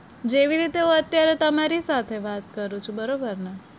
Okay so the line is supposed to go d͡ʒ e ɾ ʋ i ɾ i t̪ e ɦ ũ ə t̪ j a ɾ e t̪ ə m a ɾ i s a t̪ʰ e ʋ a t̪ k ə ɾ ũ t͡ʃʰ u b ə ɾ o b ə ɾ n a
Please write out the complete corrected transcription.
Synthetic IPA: d͡ʒ e ʋ i ɾ i t̪ e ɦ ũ ə t̪ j a ɾ e t̪ ə m a ɾ i s a t̪ʰ e ʋ a t̪ k ə ɾ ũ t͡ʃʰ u b ə ɾ o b ə ɾ n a